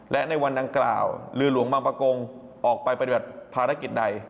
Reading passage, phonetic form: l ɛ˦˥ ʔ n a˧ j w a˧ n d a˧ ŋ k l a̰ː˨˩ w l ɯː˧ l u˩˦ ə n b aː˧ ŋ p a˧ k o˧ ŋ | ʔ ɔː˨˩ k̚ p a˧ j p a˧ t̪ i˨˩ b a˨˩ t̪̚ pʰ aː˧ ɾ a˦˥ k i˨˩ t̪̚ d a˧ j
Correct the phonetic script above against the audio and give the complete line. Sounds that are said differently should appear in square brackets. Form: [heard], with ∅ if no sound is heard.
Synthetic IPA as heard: l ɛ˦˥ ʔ n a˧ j w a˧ n d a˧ ŋ k l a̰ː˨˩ w l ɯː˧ l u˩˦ ə [ŋ] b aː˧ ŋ p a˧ k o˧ ŋ | ʔ ɔː˨˩ k̚ p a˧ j p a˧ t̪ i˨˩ b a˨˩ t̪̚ pʰ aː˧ ɾ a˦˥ k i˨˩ t̪̚ d a˧ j